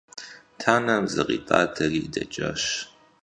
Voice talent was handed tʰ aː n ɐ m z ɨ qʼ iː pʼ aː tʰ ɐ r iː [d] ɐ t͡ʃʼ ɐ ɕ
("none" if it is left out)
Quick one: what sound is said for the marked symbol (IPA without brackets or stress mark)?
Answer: d